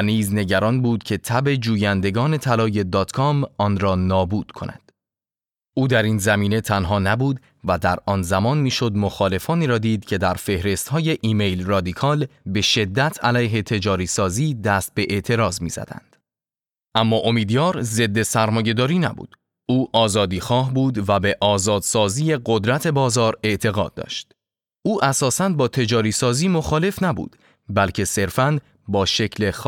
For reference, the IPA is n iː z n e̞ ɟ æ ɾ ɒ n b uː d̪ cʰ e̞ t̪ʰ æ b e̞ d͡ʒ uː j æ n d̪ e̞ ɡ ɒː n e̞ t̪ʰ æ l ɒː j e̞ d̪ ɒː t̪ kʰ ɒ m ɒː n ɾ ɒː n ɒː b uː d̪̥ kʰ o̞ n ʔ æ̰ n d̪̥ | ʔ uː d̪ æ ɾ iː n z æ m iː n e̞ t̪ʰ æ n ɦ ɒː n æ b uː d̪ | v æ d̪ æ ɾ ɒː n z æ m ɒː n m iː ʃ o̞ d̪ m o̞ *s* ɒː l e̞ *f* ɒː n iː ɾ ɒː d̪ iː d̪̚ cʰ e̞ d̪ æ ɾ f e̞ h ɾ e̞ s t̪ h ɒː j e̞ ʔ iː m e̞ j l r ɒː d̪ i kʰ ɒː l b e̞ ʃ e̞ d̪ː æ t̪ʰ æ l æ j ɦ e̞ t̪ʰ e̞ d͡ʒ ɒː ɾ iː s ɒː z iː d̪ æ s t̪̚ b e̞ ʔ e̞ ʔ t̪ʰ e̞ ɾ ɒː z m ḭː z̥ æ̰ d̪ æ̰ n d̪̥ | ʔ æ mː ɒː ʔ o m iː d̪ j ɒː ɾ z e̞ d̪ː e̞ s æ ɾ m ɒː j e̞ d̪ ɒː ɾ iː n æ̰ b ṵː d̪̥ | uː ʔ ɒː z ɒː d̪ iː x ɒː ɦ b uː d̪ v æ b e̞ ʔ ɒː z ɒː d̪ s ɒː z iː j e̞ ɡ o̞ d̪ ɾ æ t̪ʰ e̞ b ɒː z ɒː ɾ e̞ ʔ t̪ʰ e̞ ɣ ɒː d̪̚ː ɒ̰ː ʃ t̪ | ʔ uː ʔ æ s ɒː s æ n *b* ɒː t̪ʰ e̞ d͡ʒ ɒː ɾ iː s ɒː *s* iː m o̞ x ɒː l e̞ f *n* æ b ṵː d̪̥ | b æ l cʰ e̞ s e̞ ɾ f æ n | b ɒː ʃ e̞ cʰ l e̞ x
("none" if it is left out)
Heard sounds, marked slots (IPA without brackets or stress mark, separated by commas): x, f, b, z, n